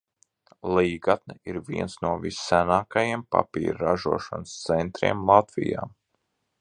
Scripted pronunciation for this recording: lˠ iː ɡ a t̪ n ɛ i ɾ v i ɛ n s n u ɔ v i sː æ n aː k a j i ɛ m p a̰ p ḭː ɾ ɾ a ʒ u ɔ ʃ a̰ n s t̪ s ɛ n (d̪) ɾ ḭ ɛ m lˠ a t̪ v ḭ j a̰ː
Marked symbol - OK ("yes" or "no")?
no